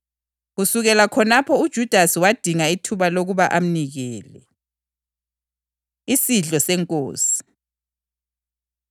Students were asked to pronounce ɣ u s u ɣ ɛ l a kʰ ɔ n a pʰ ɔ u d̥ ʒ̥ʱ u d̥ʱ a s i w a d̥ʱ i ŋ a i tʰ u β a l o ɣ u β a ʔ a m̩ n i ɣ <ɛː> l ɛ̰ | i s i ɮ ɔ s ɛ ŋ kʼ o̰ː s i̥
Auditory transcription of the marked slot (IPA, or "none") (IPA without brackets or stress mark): ɛː